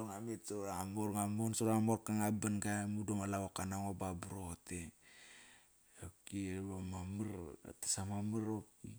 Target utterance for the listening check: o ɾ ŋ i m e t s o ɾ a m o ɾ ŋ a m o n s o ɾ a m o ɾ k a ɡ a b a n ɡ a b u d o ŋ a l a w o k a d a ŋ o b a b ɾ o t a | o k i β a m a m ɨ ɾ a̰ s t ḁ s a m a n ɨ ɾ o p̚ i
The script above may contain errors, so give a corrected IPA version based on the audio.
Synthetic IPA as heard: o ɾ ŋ a m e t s o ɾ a m o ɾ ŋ a m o n s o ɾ a m o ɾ k a ŋ a b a n ɡ a m u d o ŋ a l a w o k a n a ŋ o b a b ɾ o t e | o k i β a m a m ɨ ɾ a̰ t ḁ s a m a m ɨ ɾ o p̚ i